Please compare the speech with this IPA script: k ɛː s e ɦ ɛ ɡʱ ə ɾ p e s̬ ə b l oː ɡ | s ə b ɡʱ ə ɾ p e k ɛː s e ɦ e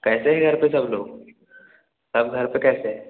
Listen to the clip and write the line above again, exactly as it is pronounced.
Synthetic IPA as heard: k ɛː s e ɦ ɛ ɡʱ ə ɾ p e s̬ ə b l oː ɡ | s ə b ɡʱ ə ɾ p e k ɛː s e ɦ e